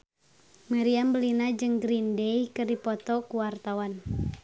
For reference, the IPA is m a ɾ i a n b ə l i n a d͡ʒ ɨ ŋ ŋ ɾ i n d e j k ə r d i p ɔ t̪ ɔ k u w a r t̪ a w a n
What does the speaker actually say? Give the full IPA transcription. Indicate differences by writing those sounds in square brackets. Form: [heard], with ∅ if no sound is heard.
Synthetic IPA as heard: m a ɾ i a [m] b ə l i n a d͡ʒ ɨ ŋ [ɡ] ɾ i n d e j k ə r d i p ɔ t̪ ɔ k u w a r t̪ a w a n